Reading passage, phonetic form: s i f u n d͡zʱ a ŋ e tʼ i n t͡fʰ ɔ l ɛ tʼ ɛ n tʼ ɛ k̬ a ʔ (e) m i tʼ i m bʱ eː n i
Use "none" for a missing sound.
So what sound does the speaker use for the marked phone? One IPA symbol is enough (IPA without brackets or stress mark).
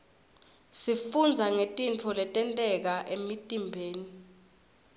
e